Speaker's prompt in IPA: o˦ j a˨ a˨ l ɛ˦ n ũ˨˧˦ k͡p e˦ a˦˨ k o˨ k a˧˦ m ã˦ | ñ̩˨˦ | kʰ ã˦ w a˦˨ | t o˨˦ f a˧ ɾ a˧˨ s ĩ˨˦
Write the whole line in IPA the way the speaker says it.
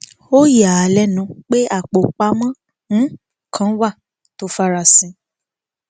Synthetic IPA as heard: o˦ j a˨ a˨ l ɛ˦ n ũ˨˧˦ k͡p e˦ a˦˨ k͡p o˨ k͡p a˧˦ m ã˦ | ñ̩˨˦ | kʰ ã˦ w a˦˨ | t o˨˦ f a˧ ɾ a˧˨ s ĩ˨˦